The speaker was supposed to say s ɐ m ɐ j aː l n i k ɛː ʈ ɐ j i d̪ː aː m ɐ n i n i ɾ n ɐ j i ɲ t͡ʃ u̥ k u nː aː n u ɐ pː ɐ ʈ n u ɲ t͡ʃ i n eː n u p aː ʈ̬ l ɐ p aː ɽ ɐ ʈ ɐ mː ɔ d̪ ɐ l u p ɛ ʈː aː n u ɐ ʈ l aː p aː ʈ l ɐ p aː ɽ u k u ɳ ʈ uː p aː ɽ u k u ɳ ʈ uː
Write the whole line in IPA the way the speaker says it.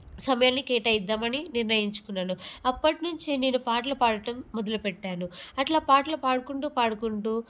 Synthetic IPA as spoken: s ɐ m ɐ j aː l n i k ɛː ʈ ɐ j i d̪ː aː m ɐ n i n i ɾ n ɐ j i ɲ t͡ʃ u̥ k u nː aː n u ɐ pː ɐ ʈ n u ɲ t͡ʃ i n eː n u p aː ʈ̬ l ɐ p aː ɽ ɐ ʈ ɐ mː ɔ d̪ ɐ l u p ɛ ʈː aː n u ɐ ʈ l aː p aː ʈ l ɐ p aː ɽ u k u ɳ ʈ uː p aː ɽ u k u ɳ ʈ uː